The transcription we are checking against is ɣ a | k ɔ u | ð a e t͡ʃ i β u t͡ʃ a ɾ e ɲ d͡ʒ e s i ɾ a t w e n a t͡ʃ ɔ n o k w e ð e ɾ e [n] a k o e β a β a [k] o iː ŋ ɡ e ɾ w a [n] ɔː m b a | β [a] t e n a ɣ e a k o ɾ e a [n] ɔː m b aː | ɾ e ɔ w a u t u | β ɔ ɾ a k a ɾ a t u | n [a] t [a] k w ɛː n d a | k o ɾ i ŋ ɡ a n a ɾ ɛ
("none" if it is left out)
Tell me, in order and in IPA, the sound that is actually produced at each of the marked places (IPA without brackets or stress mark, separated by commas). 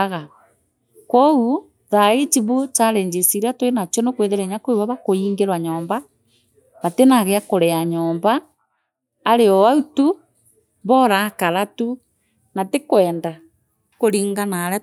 ɲ, k, ɲ, a, ɲ, a, e